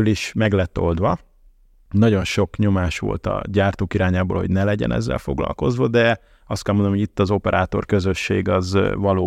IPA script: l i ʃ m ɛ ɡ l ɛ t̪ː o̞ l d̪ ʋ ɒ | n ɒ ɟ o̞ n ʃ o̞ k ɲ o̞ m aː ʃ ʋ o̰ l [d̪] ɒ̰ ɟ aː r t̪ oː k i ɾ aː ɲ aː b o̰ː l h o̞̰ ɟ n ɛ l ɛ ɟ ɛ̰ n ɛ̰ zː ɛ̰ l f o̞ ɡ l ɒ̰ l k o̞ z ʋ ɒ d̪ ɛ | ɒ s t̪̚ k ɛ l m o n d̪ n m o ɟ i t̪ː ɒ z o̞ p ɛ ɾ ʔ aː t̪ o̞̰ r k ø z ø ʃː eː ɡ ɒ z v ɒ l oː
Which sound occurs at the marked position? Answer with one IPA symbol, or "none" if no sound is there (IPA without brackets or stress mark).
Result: t̪